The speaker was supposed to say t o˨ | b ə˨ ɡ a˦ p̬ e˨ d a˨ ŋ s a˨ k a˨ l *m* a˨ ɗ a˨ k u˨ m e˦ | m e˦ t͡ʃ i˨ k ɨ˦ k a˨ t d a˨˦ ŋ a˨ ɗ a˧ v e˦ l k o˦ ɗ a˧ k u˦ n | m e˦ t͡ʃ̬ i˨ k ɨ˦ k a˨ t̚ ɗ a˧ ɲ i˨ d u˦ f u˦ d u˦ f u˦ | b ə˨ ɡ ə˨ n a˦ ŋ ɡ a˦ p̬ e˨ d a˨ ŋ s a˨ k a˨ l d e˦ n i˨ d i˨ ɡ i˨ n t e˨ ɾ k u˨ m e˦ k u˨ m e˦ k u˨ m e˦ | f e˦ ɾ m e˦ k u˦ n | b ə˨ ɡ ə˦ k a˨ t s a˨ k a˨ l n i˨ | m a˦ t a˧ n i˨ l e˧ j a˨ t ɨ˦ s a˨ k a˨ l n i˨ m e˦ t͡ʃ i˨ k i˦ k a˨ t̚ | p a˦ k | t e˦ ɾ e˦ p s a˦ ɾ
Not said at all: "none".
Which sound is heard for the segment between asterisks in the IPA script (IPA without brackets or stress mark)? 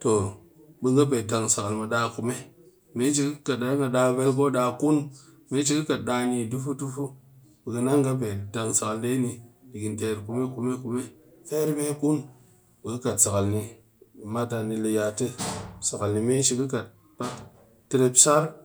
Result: m